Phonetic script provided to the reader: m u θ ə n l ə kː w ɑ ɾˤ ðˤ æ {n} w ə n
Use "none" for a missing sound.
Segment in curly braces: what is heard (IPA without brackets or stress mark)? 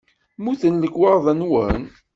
n